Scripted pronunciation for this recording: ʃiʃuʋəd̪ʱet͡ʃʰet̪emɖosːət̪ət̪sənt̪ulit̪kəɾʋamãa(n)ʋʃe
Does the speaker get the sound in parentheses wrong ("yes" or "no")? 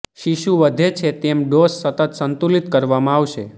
yes